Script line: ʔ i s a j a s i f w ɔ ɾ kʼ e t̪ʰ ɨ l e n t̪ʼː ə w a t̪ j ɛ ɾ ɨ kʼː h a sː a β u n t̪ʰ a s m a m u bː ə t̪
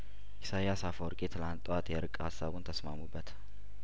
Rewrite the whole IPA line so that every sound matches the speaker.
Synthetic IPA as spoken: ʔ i s a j a s a f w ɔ ɾ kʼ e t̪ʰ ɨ l a n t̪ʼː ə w a t̪ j ɛ ɾ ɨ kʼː h a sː a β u n t̪ʰ ə s m a m u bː ə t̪